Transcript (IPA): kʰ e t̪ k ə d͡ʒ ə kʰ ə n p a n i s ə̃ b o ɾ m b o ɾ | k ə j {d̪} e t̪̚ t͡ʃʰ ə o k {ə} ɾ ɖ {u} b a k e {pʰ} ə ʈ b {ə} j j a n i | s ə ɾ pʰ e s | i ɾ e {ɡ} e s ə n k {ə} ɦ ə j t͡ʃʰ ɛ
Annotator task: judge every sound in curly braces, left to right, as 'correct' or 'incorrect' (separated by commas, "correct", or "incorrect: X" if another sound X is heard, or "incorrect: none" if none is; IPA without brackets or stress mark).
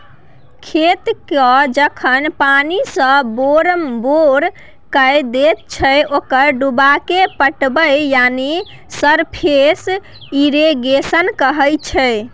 correct, correct, correct, incorrect: p, correct, correct, correct